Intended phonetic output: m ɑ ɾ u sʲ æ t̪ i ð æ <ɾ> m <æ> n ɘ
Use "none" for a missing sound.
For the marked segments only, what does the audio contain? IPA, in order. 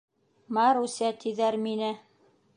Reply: ɾ, i

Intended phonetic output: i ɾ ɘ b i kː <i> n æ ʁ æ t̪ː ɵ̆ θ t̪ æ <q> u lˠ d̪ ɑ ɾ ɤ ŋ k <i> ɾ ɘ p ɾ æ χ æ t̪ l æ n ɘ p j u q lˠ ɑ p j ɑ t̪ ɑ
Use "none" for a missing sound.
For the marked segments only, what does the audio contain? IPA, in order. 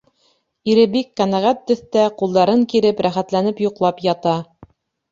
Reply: æ, q, i

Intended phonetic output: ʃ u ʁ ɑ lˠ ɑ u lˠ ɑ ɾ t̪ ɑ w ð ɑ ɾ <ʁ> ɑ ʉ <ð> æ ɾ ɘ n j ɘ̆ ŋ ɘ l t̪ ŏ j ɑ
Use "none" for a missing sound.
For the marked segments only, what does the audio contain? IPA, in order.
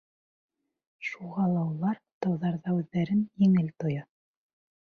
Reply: ð, ðː

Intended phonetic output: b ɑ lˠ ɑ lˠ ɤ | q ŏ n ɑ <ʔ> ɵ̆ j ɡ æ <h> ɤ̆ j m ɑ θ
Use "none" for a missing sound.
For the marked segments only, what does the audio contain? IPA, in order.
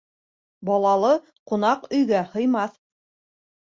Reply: q, h

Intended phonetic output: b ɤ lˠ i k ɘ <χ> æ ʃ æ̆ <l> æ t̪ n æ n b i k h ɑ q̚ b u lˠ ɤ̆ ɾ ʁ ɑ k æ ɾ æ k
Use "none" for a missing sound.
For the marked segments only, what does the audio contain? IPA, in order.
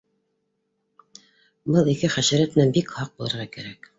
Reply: χ, ɾ

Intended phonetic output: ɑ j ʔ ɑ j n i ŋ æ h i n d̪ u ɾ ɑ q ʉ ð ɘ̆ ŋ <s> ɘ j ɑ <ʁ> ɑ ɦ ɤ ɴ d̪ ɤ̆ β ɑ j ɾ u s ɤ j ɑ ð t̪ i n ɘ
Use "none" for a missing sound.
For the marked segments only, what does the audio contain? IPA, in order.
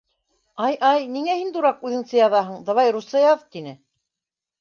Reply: s, ð

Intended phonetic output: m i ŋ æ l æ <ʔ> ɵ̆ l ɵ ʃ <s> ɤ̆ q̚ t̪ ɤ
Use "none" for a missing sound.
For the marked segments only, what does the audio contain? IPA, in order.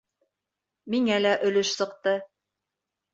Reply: ʔ, s

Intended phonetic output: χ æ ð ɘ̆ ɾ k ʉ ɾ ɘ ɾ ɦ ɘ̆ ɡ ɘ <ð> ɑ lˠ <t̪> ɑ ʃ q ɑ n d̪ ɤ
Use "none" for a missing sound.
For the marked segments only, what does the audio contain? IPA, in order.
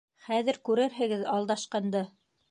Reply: ð, d̪

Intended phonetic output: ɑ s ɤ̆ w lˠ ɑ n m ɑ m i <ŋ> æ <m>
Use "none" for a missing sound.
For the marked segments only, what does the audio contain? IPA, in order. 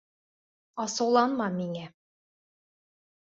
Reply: ŋ, none

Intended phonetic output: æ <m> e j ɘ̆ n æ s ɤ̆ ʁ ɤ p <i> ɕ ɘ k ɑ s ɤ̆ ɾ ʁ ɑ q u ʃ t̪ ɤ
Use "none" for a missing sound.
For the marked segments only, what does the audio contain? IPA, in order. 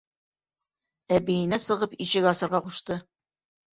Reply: b, i

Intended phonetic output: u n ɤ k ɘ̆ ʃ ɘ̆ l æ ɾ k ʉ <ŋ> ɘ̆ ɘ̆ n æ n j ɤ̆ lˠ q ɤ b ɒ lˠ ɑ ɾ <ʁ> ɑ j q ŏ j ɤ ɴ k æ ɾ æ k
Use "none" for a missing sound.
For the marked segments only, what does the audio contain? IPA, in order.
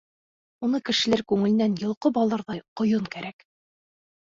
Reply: ŋ, ð

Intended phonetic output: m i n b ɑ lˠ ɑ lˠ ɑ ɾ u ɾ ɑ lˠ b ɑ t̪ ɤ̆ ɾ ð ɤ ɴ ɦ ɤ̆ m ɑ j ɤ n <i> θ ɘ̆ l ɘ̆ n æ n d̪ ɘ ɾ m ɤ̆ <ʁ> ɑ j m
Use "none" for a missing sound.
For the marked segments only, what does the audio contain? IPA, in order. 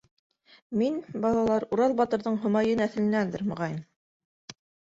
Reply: æ, ʁ

